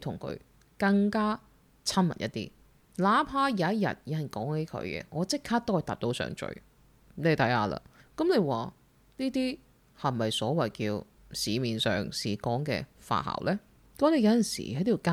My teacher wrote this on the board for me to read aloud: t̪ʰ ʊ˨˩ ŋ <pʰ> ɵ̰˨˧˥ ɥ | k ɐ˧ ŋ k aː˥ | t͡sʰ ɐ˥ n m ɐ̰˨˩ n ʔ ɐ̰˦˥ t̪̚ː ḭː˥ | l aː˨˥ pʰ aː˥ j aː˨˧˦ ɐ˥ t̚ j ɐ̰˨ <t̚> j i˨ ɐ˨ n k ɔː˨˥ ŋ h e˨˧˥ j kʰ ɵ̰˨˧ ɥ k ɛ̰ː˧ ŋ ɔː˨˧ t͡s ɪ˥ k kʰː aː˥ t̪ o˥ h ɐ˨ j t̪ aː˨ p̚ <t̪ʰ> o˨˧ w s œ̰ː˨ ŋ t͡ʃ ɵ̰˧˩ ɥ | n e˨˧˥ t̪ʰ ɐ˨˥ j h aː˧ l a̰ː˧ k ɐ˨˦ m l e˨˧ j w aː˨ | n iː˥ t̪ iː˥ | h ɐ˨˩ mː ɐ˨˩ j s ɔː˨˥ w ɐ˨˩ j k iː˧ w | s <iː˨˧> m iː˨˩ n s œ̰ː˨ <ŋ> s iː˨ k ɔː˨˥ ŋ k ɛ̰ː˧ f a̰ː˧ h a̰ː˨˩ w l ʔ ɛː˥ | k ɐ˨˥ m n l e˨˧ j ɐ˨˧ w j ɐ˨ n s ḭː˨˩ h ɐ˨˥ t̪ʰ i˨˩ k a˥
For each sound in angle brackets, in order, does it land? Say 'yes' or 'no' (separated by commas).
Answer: no, yes, no, yes, yes